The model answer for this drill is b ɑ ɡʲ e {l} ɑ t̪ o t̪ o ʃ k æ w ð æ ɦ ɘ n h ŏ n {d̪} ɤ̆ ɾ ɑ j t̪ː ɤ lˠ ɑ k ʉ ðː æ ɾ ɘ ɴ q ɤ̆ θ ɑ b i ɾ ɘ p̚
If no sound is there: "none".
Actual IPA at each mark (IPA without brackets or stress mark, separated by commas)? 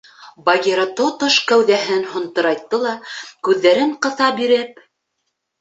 ɾ, t̪